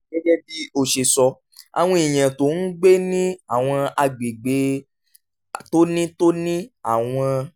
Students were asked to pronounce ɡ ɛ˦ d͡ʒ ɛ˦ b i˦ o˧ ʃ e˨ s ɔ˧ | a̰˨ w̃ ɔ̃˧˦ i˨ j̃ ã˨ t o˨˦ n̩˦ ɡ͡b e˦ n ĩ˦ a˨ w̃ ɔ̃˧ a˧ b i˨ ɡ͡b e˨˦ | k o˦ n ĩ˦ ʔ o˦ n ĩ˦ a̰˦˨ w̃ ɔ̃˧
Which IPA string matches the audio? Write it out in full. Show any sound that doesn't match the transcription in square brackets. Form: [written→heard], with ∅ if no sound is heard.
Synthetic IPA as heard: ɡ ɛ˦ d͡ʒ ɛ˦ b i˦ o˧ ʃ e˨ s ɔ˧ | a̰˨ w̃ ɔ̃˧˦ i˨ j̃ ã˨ t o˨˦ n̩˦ ɡ͡b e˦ n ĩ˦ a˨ w̃ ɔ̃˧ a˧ [b→ɡ͡b] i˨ ɡ͡b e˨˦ | [k→t] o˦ n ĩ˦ [ʔ→t] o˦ n ĩ˦ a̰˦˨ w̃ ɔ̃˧